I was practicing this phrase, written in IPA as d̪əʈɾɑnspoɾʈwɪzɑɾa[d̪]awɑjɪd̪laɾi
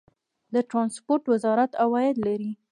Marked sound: incorrect: t̪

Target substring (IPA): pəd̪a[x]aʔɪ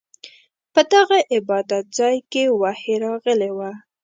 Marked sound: incorrect: ɣ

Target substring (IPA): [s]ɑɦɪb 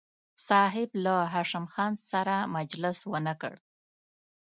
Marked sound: correct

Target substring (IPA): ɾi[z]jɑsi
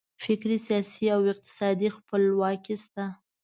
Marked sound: incorrect: s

